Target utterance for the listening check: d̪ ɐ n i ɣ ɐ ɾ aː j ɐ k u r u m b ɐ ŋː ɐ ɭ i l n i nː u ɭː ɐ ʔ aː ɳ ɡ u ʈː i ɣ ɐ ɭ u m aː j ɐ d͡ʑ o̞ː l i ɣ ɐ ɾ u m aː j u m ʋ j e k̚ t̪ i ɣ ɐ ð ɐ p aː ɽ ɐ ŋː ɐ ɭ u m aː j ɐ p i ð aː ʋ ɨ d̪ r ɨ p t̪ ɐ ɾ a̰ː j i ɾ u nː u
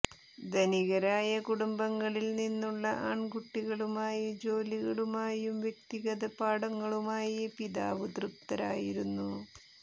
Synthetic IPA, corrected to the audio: d̪ ɐ n i ɣ ɐ ɾ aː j ɐ k u ɽ u m b ɐ ŋː ɐ ɭ i l n i nː u ɭː ɐ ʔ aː ɳ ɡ u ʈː i ɣ ɐ ɭ u m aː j ɐ d͡ʑ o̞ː l i ɣ ɐ ɭ u m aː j u m ʋ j e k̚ t̪ i ɣ ɐ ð ɐ p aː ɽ ɐ ŋː ɐ ɭ u m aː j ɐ p i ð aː ʋ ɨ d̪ r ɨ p t̪ ɐ ɾ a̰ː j i ɾ u nː u